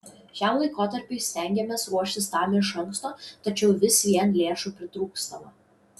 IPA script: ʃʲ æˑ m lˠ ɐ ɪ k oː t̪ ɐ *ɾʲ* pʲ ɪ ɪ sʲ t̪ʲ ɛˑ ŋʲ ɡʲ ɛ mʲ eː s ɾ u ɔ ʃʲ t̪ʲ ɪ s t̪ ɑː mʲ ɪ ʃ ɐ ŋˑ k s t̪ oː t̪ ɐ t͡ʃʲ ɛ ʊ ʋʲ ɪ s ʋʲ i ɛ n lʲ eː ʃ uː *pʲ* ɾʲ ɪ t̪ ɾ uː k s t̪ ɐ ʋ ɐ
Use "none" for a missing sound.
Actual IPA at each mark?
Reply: ɾʲ, pʲ

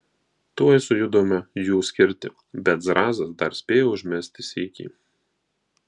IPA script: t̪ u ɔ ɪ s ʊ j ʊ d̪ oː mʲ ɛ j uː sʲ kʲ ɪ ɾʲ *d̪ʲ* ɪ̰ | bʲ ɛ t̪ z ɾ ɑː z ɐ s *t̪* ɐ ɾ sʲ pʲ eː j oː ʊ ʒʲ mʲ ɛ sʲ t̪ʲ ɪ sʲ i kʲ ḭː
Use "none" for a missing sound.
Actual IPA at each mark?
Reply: t̪ʲ, d̪

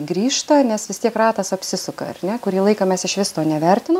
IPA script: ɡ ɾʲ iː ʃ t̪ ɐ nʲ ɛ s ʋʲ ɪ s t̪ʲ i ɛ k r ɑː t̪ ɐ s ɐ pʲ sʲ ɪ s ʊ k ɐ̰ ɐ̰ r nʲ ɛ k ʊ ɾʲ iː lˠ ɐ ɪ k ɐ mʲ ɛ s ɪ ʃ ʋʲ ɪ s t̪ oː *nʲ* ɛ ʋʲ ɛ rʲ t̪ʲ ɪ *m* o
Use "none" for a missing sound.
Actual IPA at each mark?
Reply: nʲ, n

